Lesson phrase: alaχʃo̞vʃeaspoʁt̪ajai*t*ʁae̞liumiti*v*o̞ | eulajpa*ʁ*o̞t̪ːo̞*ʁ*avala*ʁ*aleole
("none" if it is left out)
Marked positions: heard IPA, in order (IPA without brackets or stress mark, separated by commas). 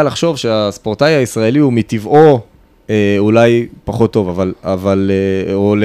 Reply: s, v, χ, v, v